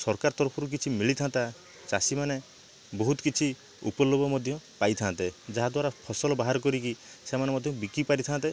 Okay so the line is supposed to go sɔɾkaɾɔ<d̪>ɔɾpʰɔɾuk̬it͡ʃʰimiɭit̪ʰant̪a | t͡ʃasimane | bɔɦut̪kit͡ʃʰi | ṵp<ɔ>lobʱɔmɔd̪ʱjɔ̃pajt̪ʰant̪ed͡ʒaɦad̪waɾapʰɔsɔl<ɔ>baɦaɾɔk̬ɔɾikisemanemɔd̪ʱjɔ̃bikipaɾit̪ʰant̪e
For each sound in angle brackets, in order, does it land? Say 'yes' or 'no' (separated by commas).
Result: no, yes, yes